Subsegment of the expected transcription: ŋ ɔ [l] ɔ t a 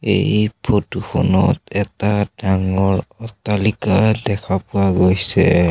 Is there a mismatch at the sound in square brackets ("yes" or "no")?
yes